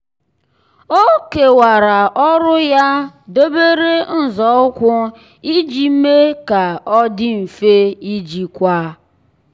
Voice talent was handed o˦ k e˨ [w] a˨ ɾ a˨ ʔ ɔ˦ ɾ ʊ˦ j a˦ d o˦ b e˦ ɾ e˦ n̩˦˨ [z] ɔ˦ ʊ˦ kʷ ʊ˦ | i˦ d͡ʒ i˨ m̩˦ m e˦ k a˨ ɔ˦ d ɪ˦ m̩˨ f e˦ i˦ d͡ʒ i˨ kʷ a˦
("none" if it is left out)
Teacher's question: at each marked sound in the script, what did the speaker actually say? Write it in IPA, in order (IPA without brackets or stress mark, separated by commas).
w, z